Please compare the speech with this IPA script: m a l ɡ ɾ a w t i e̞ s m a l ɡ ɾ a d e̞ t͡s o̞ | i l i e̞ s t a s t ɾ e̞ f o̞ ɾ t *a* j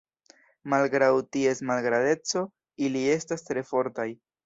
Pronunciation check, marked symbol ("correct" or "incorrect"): correct